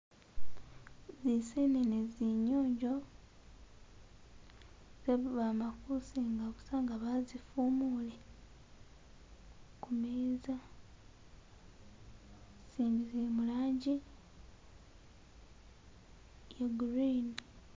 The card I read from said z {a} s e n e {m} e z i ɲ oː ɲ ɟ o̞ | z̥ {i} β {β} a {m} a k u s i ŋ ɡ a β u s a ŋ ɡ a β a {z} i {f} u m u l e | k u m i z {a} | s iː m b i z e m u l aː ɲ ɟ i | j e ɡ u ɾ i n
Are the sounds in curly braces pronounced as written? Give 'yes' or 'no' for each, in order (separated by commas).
no, no, no, yes, yes, yes, yes, yes